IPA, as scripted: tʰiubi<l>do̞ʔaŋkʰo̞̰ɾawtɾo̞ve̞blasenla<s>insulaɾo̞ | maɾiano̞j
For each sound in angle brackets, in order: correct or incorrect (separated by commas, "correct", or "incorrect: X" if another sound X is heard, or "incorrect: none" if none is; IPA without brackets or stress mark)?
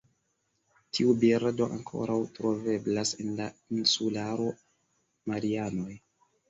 incorrect: ɾ, incorrect: none